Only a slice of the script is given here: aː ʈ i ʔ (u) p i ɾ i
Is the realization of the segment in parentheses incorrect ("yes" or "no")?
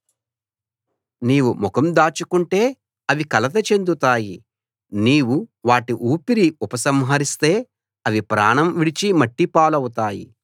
yes